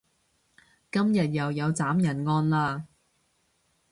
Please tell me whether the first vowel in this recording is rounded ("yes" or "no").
no